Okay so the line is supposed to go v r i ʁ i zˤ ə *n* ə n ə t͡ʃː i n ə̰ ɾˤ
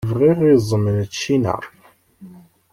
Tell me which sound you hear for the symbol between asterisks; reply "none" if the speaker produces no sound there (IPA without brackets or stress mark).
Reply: m